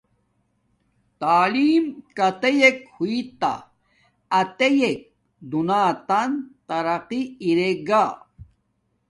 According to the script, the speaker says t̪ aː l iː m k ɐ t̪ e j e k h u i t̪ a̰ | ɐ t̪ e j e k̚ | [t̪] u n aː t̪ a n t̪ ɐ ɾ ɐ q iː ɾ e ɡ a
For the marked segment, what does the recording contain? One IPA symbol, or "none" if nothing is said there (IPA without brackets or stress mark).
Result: d̪